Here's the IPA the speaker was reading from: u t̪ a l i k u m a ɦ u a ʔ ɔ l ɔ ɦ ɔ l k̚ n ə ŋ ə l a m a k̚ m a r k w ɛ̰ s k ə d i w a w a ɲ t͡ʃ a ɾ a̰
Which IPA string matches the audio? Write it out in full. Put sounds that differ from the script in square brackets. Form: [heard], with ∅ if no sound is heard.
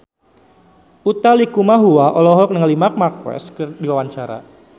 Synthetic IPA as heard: u t̪ a l i k u m a ɦ u a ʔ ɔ l ɔ ɦ ɔ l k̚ n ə ŋ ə l [i] m a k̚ m a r k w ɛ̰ s k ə d i w a w a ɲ t͡ʃ a ɾ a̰

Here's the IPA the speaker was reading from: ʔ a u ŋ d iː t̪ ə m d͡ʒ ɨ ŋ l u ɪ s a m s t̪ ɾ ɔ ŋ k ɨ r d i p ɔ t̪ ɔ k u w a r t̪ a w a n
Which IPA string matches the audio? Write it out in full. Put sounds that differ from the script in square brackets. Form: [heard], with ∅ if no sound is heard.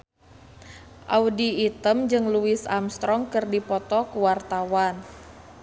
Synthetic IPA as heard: ʔ a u [∅] d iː t̪ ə m d͡ʒ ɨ ŋ l u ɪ s a m s t̪ ɾ ɔ ŋ k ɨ r d i p ɔ t̪ ɔ k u w a r t̪ a w a n

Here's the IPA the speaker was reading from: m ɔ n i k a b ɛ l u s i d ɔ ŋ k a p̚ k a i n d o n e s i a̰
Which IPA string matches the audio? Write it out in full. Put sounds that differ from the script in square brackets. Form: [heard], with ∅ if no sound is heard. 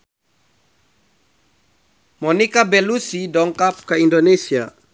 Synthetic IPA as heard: m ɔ n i k a b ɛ l u s i d ɔ ŋ k a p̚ k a i n d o n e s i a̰

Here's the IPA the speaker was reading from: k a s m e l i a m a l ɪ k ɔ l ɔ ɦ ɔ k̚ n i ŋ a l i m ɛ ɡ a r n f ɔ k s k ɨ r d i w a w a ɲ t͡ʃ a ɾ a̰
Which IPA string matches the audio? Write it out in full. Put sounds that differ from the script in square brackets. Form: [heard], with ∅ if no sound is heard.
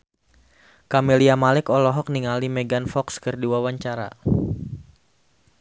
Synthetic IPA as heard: k a [∅] m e l i a m a l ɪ k ɔ l ɔ ɦ ɔ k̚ n i ŋ a l i m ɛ ɡ a [∅] n f ɔ k s k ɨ r d i w a w a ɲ t͡ʃ a ɾ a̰

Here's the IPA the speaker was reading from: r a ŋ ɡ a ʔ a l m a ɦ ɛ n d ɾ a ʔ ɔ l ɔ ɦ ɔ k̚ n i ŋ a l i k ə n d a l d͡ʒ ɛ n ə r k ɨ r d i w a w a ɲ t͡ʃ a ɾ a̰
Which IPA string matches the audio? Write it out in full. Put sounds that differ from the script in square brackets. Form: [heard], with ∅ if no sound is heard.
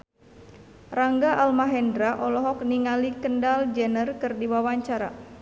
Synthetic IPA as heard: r a ŋ ɡ a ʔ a l m a ɦ ɛ n d ɾ a ʔ ɔ l ɔ ɦ ɔ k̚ n i ŋ a l i k ə n d a l d͡ʒ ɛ n ə r k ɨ r d i w a w a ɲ t͡ʃ a ɾ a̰

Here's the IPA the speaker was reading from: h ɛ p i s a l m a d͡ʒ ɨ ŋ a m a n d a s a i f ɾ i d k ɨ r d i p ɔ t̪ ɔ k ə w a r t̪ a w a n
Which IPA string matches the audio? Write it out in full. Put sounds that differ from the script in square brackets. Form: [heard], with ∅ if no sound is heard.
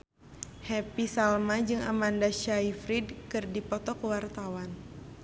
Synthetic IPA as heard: h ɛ p i s a l m a d͡ʒ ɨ ŋ a m a n d a [ʃ] a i f ɾ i d k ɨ r d i p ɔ t̪ ɔ k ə w a r t̪ a w a n

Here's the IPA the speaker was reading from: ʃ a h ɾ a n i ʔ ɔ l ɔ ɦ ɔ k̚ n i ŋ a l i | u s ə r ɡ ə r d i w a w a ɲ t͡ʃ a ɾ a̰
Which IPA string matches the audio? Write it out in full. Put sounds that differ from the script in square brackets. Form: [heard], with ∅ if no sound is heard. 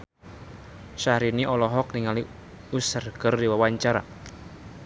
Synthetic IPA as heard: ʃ a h ɾ [i] n i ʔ ɔ l ɔ ɦ ɔ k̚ n i ŋ a l i | u s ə r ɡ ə r d i w a w a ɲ t͡ʃ a ɾ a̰

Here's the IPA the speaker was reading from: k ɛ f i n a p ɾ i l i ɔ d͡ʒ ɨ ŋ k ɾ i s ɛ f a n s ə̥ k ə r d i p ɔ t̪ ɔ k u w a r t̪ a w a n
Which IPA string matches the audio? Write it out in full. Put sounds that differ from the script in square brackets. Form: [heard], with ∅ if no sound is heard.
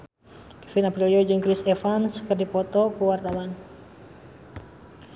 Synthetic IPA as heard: k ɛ f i n a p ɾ i l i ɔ d͡ʒ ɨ ŋ k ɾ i s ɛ f a n s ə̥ k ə r d i p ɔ t̪ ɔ k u w a r t̪ a w a n

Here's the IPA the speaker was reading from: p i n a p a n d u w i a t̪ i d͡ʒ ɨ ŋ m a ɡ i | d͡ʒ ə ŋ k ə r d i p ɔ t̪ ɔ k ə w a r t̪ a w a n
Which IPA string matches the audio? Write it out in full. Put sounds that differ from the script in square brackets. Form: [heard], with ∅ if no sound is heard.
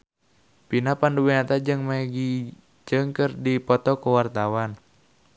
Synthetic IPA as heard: p i n a p a n d u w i a t̪ [a] d͡ʒ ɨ ŋ m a ɡ i | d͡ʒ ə ŋ k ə r d i p ɔ t̪ ɔ k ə w a r t̪ a w a n

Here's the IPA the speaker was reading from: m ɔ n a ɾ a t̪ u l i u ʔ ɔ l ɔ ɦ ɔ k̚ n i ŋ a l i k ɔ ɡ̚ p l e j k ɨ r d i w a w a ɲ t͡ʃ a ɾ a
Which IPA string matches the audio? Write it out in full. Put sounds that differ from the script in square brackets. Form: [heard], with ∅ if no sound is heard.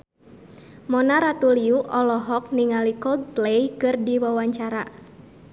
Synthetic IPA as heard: m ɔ n a ɾ a t̪ u l i u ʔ ɔ l ɔ ɦ ɔ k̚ n i ŋ a l i k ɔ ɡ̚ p l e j k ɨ r d i w a w a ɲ t͡ʃ a ɾ a

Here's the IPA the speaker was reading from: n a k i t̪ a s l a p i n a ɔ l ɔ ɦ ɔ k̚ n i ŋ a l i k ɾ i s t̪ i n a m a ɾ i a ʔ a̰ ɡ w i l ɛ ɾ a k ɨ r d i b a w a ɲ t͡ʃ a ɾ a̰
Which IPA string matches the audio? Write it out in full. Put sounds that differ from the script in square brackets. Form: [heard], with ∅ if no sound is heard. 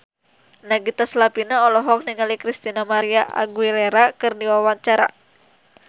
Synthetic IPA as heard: n a [ɡ] i t̪ a s l a p i n a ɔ l ɔ ɦ ɔ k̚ n i ŋ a l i k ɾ i s t̪ i n a m a ɾ i a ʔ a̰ ɡ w i l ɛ ɾ a k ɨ r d i [w] a w a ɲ t͡ʃ a ɾ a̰

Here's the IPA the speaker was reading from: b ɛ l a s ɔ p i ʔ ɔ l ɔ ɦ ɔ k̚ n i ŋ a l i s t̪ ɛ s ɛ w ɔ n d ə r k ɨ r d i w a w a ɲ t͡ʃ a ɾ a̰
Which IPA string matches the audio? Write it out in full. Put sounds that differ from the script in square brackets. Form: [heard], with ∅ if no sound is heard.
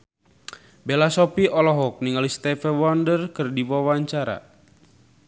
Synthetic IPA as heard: b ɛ l a s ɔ p i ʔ ɔ l ɔ ɦ ɔ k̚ n i ŋ a l i s t̪ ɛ [f] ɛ w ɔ n d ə r k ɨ r d i w a w a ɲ t͡ʃ a ɾ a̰

